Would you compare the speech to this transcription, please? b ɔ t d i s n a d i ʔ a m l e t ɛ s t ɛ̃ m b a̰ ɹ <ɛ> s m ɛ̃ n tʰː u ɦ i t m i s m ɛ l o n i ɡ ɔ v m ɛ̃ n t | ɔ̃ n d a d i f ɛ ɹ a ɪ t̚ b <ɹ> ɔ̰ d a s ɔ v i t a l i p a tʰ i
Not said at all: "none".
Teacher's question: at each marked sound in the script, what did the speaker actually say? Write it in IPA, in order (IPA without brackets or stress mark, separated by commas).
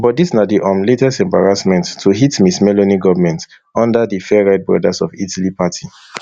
a, ɹ